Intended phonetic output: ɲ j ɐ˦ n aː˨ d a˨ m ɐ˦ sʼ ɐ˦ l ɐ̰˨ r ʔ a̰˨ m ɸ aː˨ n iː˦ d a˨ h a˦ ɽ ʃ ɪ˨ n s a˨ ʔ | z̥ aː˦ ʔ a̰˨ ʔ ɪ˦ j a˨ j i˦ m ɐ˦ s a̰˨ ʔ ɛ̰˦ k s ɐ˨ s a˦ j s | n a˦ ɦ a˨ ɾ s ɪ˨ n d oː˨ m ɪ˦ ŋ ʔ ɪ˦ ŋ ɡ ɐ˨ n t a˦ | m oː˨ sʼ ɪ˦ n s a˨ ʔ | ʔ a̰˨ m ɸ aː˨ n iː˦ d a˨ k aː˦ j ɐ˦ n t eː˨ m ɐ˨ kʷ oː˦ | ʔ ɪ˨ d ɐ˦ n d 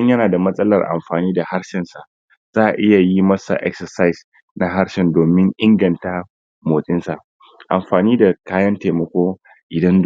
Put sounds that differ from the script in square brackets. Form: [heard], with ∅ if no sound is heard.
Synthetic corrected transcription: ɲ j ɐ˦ n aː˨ d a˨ m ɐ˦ sʼ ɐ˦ l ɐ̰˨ r ʔ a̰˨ m ɸ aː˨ n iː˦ d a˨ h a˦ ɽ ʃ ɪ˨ n s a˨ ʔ | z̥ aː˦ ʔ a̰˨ ʔ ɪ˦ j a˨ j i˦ m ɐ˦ s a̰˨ ʔ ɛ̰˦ k s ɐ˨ s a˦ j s | n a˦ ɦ [a˦] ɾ [ʃ] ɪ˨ n d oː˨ m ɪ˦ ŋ ʔ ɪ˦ ŋ ɡ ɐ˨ n t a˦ | m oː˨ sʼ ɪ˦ n s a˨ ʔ | ʔ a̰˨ m ɸ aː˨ n iː˦ d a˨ k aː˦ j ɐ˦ n t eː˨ m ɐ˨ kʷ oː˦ | ʔ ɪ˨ d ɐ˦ n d